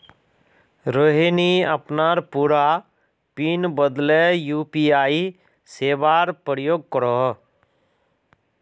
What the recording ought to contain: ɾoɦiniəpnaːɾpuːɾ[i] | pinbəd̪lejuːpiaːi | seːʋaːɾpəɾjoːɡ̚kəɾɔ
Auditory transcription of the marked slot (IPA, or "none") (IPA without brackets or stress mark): a